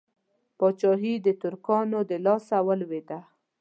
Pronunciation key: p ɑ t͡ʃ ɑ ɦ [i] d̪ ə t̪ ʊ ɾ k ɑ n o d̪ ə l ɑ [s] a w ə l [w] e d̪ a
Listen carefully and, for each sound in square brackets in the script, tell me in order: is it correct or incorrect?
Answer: correct, correct, correct

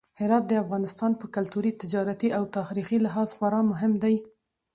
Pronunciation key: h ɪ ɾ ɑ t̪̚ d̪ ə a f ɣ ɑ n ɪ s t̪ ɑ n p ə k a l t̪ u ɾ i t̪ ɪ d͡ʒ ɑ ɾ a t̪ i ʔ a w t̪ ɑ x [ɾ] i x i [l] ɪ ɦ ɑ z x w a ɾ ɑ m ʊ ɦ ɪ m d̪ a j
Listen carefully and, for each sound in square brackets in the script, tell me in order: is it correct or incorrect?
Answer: correct, correct

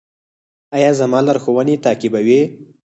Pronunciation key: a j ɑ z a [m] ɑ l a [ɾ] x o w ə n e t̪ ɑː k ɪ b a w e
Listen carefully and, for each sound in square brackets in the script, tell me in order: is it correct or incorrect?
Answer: correct, correct

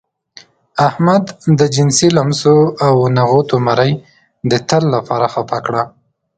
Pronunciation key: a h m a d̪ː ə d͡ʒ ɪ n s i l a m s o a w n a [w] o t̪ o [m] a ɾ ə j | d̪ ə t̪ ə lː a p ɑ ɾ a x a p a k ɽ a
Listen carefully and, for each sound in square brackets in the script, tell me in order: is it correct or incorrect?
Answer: incorrect: ɣ, correct

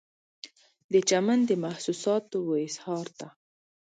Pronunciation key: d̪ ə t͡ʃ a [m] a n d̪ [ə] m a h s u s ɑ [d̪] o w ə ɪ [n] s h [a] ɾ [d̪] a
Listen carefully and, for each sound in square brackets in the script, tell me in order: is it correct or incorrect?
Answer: correct, correct, incorrect: t̪, incorrect: none, incorrect: ɑ, incorrect: t̪

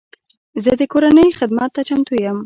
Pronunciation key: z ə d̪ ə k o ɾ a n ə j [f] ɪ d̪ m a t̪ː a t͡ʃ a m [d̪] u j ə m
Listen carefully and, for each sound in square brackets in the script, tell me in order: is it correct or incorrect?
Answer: incorrect: x, incorrect: t̪

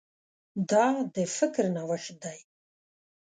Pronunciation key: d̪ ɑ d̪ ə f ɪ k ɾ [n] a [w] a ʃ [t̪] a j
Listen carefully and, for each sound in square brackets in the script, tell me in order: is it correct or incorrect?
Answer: correct, correct, incorrect: d̪

